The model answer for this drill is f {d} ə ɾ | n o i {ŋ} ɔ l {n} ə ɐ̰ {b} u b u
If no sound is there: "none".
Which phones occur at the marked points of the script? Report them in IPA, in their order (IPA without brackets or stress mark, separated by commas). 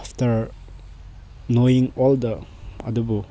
t, ŋ, d, d